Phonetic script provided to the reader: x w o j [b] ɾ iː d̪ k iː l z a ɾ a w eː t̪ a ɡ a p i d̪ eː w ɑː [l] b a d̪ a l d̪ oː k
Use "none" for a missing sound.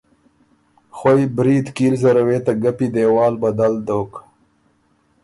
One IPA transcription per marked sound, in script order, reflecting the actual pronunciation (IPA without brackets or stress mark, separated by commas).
b, l